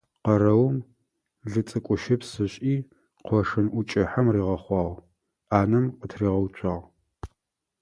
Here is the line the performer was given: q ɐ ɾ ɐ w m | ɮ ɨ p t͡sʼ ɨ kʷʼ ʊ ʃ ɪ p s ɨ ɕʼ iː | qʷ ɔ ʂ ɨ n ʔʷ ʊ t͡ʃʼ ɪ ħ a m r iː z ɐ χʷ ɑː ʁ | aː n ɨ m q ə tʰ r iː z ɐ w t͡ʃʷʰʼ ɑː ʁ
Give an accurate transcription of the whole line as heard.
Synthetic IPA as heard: q ɐ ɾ ɐ w m | ɮ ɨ t͡sʼ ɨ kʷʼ ʊ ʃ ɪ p s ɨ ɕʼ iː | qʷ ɔ ʂ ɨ n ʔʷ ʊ t͡ʃʼ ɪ ħ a m r iː ʁ ɐ χʷ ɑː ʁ | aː n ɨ m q ə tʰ r iː ʁ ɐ w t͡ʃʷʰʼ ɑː ʁ